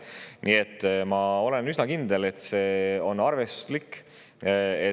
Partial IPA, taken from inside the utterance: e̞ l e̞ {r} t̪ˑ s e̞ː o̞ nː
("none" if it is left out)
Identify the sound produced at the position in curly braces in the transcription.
none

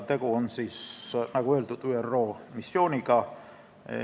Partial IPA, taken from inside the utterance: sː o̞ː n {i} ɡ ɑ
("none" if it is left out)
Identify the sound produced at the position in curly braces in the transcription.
i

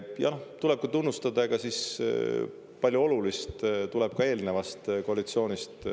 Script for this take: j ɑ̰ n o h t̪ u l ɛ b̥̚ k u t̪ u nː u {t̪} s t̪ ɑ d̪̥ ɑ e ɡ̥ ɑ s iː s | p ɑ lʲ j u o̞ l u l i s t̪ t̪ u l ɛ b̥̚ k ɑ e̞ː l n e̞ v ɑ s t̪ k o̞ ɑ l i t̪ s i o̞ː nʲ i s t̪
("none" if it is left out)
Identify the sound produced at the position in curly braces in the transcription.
none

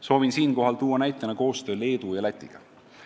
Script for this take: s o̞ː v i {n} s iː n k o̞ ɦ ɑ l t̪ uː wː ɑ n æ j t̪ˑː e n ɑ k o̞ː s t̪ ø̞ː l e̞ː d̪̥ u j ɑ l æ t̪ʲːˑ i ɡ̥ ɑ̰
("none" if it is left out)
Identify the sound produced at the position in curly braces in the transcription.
n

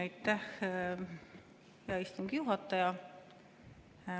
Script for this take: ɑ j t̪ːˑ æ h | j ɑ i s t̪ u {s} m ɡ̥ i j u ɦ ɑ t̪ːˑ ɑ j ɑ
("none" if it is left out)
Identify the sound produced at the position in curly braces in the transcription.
none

